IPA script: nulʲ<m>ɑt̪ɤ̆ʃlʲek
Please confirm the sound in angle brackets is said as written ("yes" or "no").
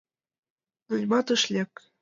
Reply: yes